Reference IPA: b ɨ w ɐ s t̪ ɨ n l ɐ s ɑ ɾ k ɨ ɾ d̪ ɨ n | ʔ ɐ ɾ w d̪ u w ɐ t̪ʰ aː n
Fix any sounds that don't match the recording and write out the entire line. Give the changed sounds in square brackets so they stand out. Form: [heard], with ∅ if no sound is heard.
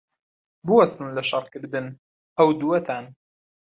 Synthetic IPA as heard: b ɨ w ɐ s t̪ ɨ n l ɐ [ʃ] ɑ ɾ k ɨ ɾ d̪ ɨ n | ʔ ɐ [∅] w d̪ u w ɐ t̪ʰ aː n